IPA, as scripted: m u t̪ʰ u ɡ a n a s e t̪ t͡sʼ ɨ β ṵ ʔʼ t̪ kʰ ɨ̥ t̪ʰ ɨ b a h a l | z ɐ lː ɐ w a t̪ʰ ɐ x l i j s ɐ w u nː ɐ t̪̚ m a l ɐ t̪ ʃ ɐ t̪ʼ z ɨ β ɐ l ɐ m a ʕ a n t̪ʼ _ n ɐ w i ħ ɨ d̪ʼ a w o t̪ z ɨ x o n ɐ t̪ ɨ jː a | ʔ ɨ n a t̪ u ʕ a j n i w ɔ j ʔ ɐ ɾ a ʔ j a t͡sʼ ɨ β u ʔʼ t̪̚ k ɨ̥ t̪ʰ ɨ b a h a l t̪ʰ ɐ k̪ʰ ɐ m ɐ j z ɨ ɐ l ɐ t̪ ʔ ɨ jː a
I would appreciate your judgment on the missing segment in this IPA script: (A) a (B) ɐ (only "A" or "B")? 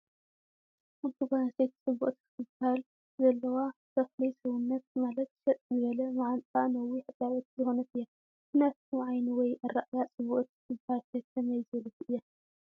A